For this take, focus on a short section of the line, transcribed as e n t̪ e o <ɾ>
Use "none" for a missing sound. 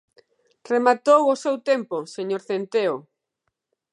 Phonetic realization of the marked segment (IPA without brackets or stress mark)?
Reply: none